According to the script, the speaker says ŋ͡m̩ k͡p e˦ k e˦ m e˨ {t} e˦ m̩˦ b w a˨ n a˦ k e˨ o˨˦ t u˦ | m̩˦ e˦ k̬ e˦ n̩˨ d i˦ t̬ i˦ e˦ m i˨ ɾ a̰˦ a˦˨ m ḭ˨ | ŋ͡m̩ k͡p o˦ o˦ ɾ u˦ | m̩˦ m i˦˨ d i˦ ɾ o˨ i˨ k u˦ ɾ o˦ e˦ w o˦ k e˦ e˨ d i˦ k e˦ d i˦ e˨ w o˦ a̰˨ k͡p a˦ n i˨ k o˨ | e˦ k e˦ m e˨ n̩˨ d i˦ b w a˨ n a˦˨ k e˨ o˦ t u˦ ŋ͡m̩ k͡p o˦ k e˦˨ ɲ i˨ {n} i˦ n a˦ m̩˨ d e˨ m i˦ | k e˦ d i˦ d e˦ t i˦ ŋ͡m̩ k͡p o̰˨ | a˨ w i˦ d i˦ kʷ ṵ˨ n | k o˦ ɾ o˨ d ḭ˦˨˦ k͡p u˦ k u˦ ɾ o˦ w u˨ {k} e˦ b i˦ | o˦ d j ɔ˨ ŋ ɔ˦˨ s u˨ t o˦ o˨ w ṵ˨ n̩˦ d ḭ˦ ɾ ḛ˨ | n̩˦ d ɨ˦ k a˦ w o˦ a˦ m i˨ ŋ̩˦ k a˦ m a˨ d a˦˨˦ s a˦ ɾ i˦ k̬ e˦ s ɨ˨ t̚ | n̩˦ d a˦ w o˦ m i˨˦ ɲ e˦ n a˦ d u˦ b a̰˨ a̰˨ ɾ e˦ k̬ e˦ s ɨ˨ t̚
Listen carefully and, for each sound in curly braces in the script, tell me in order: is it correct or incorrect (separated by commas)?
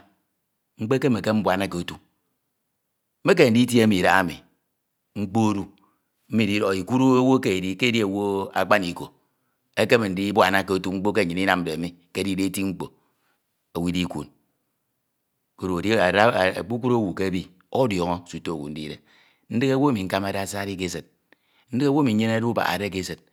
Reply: incorrect, correct, correct